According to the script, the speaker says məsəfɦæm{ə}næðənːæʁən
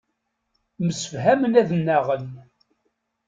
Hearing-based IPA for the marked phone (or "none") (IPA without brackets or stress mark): ə